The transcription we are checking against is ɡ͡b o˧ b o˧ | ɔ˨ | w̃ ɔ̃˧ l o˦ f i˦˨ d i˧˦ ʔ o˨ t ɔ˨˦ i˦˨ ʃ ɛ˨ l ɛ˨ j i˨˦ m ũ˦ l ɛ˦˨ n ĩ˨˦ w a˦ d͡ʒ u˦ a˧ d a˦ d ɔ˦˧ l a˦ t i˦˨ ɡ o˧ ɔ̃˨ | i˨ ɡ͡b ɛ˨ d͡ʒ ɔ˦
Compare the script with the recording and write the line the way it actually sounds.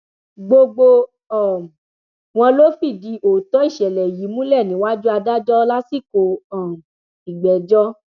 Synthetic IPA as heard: ɡ͡b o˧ ɡ͡b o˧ | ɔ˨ | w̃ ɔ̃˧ l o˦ f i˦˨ d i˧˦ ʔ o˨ t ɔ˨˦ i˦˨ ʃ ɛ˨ l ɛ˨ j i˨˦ m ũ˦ l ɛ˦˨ n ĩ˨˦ w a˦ d͡ʒ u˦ a˧ d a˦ d͡ʒ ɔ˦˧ l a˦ s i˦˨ k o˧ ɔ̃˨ | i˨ ɡ͡b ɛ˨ d͡ʒ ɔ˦